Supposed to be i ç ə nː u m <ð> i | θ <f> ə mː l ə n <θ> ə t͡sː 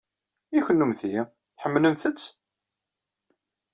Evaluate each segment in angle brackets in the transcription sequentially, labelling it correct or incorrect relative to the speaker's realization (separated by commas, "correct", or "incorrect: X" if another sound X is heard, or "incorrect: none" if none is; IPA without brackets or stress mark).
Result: incorrect: θ, incorrect: ħ, correct